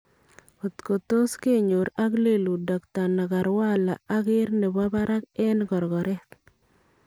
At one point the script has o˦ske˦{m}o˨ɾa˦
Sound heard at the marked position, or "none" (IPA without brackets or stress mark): ɲ